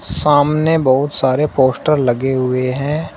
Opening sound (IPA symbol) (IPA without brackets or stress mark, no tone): s